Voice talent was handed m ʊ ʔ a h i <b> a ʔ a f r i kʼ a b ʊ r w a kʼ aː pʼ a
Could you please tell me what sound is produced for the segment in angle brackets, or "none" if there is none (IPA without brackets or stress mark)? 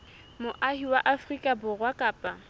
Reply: w